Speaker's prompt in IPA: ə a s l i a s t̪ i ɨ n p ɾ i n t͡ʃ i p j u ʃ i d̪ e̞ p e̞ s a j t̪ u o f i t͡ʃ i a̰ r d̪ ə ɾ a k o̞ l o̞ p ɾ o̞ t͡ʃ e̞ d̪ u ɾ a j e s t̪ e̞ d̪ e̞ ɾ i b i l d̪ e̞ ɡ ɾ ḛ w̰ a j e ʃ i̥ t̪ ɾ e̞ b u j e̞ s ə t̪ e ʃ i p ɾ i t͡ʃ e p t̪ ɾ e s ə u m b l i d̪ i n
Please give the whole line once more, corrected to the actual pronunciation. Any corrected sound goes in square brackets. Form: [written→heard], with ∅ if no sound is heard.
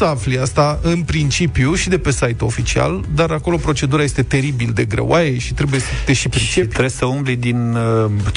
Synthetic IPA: ə a [s→f] l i a s t̪ [i→a] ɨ n p ɾ i n t͡ʃ i p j u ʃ i d̪ e̞ p e̞ s a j t̪ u o f i t͡ʃ i a̰ [r→l] d̪ [ə→a] ɾ a k o̞ l o̞ p ɾ o̞ t͡ʃ e̞ d̪ u ɾ a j e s t̪ e̞ [d̪→t̪] e̞ ɾ i b i l d̪ e̞ ɡ ɾ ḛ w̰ a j e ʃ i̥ t̪ ɾ e̞ b u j e̞ s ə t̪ e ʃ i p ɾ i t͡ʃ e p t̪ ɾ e s ə u m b l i d̪ i n